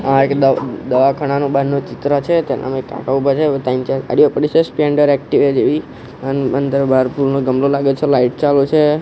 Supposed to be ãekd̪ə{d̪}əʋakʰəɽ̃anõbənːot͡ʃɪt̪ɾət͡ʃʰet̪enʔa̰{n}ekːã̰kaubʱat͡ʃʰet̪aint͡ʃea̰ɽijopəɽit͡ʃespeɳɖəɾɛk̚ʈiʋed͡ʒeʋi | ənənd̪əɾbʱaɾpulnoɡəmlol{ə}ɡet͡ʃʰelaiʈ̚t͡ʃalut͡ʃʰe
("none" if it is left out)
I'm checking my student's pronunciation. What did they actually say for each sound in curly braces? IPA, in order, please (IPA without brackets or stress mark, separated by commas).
d̪, m, a